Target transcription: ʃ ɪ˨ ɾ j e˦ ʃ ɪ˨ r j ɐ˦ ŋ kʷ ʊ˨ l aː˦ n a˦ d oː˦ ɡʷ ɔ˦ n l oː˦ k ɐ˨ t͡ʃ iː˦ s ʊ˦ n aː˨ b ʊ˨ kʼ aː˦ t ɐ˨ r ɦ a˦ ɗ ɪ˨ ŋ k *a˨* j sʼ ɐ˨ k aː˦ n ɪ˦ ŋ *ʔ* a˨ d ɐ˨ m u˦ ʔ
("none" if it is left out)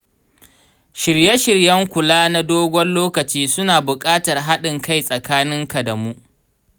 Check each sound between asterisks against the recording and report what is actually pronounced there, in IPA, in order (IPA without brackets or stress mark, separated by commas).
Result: a˦, k